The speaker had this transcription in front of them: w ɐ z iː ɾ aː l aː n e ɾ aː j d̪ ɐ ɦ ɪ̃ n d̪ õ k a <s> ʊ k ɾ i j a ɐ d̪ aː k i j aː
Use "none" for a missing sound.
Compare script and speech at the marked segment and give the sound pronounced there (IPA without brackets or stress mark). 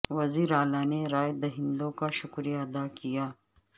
ʃ